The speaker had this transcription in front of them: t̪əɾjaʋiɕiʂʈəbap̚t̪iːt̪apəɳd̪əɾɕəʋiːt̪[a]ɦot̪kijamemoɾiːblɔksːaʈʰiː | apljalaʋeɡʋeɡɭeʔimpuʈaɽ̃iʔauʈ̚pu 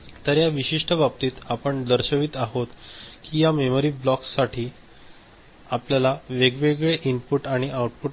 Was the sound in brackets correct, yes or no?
yes